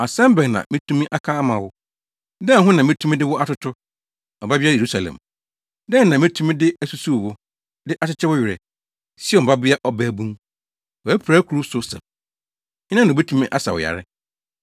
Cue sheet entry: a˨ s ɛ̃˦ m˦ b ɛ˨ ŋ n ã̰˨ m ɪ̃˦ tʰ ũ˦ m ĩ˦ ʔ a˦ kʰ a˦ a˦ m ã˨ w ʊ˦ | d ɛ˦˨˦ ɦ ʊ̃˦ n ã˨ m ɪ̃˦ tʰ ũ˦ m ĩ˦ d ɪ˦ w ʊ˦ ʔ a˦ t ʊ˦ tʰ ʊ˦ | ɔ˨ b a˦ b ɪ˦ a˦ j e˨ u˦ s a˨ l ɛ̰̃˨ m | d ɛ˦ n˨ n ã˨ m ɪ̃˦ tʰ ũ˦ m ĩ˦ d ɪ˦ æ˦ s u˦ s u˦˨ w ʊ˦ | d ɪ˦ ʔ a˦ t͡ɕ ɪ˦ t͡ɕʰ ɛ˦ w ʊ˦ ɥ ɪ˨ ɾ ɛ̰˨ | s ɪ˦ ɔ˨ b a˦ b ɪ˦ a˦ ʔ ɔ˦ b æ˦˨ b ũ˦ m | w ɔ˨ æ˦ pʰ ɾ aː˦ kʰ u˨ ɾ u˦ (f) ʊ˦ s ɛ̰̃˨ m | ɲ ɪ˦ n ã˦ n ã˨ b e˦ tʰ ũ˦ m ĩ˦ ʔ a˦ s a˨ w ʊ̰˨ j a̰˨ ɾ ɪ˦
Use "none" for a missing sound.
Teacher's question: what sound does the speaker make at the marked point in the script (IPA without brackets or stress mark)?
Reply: s